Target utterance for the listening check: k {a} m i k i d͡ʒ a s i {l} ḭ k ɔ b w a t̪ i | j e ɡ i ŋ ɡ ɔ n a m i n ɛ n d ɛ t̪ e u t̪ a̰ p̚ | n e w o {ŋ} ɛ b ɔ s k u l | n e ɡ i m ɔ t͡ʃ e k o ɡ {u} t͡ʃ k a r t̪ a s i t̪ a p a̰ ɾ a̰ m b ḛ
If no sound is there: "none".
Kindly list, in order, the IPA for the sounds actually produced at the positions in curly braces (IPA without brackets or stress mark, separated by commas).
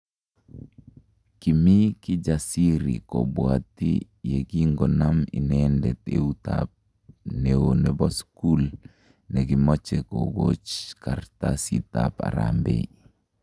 i, ɾ, n, o